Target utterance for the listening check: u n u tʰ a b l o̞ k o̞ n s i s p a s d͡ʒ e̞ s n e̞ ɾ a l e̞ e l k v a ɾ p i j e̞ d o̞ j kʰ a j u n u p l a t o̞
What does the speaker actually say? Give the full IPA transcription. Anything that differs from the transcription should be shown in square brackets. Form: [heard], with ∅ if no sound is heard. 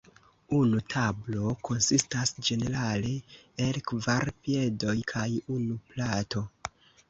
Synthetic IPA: u n u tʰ a b l o̞ k o̞ n s i s [t] a s d͡ʒ e̞ [∅] n e̞ ɾ a l e̞ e l k v a ɾ p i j e̞ d o̞ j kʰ a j u n u p l a t o̞